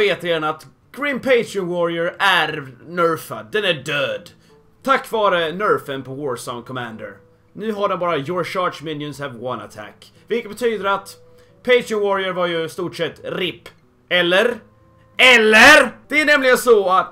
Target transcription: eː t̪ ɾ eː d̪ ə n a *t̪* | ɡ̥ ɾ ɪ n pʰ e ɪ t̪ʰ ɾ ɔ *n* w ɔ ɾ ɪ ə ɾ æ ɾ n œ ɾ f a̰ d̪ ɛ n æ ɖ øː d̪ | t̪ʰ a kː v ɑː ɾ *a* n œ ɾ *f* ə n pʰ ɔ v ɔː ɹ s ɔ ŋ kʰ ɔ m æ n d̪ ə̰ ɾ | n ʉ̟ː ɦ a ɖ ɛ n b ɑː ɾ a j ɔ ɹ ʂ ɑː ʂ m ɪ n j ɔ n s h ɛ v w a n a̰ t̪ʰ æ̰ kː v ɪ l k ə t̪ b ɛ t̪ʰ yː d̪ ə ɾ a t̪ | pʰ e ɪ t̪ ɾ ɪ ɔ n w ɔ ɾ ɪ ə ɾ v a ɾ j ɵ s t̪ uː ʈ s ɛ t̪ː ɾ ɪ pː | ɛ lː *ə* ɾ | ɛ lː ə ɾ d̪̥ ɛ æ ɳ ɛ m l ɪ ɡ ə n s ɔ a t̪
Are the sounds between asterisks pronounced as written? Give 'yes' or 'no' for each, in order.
yes, yes, no, yes, yes

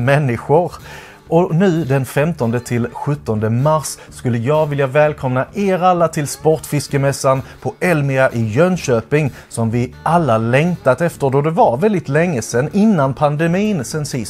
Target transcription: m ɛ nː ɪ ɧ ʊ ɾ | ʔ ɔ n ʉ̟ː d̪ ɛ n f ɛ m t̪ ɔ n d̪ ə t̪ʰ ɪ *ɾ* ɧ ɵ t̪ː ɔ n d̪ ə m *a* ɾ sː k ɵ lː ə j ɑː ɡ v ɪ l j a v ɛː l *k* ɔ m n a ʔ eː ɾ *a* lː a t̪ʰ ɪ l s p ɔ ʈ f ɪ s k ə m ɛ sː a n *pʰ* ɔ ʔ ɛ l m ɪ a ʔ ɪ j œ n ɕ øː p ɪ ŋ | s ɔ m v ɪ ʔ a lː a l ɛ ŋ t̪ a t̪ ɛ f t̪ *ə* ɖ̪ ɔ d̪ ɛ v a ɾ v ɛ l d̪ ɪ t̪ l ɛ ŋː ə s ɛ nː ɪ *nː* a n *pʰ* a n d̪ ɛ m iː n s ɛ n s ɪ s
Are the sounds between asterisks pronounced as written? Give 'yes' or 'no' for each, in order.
no, yes, no, yes, yes, yes, yes, yes

